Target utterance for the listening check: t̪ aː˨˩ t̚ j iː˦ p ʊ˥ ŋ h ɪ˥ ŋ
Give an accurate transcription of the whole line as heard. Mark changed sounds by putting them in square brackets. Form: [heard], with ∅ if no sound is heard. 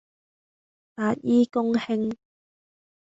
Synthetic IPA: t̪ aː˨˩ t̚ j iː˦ [k] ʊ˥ ŋ h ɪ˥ ŋ